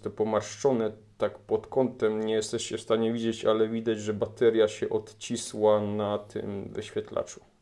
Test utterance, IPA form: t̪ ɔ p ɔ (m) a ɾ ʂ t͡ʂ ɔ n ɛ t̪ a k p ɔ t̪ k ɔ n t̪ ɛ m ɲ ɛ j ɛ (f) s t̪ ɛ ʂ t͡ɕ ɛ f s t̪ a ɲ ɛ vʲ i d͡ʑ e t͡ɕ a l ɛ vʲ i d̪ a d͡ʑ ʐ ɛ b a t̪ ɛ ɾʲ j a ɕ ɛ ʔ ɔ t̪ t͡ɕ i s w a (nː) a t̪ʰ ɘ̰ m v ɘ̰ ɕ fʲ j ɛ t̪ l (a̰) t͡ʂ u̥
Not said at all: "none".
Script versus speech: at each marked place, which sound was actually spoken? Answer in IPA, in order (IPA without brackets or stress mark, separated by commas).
m, none, n, a̰